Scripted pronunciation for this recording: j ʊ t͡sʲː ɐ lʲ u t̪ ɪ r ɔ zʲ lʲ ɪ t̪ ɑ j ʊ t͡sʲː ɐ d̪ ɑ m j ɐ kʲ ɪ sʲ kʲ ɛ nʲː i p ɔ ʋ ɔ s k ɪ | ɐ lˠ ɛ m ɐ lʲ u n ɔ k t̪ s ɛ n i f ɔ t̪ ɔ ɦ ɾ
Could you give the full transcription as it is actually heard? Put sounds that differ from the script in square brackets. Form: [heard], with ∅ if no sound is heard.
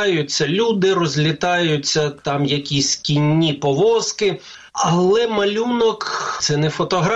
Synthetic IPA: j ʊ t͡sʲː ɐ lʲ u [d̪] ɪ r ɔ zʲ lʲ ɪ t̪ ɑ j ʊ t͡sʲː ɐ [t̪] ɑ m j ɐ kʲ [i] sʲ kʲ [i] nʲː i p ɔ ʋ ɔ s k ɪ | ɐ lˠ ɛ m ɐ lʲ u n ɔ k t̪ s ɛ n [ɛ] f ɔ t̪ ɔ ɦ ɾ